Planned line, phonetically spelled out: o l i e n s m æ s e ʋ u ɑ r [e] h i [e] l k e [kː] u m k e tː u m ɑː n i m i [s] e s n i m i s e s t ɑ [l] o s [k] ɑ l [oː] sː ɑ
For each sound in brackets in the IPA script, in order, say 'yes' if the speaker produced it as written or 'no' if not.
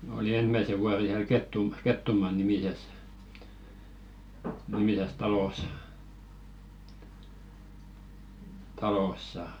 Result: yes, no, no, yes, yes, no, no

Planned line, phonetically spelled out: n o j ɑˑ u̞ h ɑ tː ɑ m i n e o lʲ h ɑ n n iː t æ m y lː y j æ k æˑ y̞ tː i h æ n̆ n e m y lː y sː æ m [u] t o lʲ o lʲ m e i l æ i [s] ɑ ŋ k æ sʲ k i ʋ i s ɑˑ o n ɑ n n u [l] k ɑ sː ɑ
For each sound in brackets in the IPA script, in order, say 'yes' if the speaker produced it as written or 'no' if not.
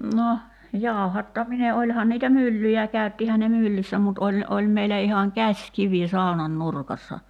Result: yes, no, no

